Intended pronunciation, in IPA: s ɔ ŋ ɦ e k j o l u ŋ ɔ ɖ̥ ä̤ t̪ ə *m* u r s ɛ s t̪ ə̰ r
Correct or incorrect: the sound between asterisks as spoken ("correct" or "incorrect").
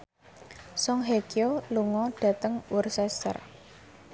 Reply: incorrect